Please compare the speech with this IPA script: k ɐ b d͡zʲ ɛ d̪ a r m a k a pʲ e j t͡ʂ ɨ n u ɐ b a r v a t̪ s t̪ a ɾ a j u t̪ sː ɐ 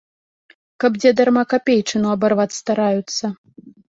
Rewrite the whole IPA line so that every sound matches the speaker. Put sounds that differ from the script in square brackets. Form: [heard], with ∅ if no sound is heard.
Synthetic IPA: k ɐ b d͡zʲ ɛ d̪ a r m a k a pʲ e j t͡ʂ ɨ n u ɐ b a r v a t̪ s t̪ a ɾ a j u t̪ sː ɐ